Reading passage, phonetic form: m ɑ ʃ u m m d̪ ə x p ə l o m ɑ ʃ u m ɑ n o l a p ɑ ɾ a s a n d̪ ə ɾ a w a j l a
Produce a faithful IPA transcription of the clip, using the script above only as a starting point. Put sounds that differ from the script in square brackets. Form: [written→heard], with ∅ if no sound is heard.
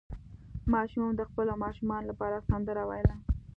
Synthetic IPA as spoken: m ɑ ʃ u m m d̪ ə x p ə l o m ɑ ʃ u m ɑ n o l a p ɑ ɾ a s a n d̪ ə ɾ a w a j l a